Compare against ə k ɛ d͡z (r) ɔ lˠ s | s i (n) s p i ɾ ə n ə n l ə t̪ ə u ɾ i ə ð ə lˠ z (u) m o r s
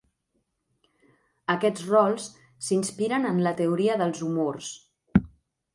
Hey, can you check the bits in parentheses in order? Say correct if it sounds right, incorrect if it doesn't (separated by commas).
correct, correct, correct